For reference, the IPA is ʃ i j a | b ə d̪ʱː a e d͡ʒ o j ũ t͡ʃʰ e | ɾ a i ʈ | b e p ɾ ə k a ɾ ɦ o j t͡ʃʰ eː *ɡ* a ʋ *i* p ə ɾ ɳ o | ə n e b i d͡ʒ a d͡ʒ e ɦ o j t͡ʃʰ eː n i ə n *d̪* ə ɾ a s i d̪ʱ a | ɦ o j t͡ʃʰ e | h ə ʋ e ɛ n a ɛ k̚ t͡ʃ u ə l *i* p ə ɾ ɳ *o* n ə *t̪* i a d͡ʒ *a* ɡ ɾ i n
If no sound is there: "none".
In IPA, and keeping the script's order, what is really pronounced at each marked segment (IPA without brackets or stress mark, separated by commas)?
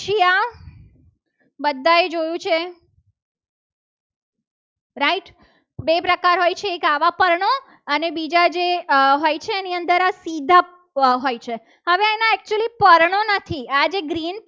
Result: k, a, d̪, i, o, t̪ʰ, e